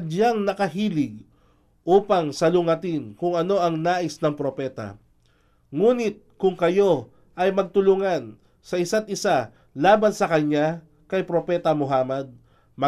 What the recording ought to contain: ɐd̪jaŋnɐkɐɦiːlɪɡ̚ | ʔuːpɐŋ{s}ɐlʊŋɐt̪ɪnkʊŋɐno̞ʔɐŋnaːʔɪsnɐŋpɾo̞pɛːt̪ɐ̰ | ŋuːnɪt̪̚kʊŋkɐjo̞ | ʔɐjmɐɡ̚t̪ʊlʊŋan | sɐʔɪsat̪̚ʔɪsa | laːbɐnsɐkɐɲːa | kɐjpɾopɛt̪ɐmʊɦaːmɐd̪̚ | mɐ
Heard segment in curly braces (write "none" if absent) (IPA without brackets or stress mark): s